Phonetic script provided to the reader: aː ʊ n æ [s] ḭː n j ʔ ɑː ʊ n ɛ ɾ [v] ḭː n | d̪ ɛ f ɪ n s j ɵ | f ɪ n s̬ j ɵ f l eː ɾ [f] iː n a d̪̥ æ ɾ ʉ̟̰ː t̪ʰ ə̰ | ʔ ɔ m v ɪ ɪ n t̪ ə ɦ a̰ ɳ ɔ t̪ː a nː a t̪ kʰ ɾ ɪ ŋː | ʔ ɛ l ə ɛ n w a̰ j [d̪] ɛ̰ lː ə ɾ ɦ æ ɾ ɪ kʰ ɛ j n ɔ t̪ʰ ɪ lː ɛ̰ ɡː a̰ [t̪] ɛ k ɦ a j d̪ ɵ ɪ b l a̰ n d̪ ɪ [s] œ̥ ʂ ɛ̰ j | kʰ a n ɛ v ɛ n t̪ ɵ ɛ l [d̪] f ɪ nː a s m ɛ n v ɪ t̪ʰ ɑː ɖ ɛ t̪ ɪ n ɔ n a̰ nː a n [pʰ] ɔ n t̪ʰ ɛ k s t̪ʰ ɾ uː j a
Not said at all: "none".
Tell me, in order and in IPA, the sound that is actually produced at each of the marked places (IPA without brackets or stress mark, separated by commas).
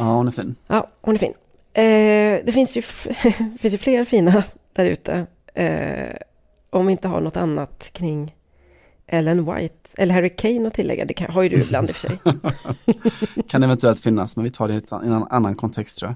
f, f, f, t̪, d̪, f, t̪, kʰ